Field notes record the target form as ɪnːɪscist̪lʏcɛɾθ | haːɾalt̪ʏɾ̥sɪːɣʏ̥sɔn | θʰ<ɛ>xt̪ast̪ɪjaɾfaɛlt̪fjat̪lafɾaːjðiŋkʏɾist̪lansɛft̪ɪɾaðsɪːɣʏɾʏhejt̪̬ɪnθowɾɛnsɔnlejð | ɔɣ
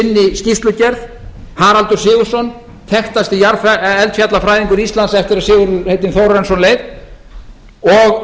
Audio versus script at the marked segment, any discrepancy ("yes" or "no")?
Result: no